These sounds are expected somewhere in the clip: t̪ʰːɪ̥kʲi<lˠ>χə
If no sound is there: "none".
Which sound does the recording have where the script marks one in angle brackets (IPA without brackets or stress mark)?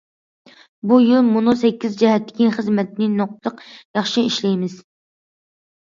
none